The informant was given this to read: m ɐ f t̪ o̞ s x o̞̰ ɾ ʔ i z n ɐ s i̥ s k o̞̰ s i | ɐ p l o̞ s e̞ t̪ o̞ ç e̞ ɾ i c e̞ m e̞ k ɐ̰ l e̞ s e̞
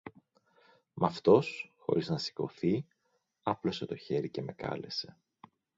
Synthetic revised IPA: m ɐ f t̪ o̞ s x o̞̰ ɾ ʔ i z n ɐ s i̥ k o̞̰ θ i | ɐ p l o̞ s e̞ t̪ o̞ ç e̞ ɾ i c e̞ m e̞ k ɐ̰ l e̞ s e̞